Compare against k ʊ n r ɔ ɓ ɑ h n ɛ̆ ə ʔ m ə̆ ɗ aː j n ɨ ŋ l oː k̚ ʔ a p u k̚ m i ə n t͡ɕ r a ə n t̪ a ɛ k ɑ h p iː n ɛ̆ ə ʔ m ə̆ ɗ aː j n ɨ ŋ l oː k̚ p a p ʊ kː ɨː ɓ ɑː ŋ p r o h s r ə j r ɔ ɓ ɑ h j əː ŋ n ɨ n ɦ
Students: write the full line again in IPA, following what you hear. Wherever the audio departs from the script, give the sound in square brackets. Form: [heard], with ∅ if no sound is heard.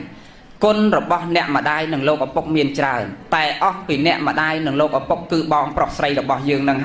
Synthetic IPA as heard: k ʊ n r ɔ ɓ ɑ h n ɛ̆ ə ʔ m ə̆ ɗ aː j n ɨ ŋ l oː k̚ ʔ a p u k̚ m i ə n t͡ɕ r a ə n t̪ a ɛ [ʔ] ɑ h p iː n ɛ̆ ə ʔ m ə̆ ɗ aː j n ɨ ŋ l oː k̚ [ʔ] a p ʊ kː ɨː ɓ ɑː ŋ p r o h s r ə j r ɔ ɓ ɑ h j əː ŋ n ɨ [ŋ] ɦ